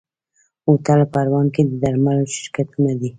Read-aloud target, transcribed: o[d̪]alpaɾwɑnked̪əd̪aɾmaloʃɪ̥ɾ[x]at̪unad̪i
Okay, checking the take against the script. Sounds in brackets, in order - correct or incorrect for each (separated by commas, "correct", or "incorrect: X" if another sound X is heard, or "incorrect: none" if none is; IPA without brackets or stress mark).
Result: incorrect: t̪, incorrect: k